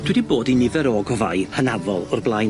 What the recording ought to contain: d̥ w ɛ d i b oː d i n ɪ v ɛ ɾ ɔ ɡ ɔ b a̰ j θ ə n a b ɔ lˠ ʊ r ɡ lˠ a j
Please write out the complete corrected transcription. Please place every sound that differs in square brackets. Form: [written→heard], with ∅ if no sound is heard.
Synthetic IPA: d̥ w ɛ d i b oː d i n ɪ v ɛ ɾ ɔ ɡ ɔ [b→v] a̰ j [θ→h] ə n a [b→v] ɔ lˠ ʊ r [ɡ→b] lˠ a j